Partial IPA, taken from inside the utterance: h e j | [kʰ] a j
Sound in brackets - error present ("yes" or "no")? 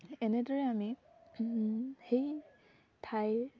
yes